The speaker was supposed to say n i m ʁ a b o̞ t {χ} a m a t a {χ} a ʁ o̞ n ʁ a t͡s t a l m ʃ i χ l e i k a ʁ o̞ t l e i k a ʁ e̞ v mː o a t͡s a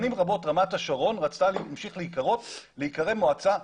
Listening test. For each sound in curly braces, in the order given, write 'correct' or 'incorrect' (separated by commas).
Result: incorrect, incorrect